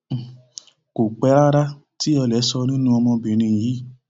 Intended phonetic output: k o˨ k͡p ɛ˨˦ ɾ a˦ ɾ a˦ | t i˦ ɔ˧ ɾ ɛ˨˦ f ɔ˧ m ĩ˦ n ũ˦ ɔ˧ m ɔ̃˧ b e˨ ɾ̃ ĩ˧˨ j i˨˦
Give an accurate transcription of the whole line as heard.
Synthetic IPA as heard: k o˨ k͡p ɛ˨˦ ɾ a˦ ɾ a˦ | t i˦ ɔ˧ l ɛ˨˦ s ɔ˧ n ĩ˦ n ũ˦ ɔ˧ m ɔ̃˧ b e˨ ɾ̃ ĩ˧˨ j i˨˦